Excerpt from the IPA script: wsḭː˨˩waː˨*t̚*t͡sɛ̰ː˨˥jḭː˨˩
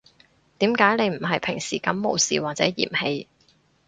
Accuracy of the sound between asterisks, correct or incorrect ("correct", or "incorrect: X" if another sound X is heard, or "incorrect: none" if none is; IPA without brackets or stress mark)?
correct